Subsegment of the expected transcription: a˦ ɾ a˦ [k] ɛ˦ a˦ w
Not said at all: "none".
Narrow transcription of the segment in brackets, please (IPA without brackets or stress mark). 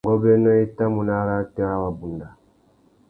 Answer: t